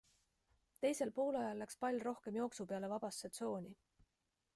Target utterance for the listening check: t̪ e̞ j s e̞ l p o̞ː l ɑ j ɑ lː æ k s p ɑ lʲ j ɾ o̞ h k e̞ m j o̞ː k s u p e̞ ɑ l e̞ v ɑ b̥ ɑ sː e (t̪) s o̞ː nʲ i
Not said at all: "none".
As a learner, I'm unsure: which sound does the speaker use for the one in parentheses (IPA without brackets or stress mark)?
t̪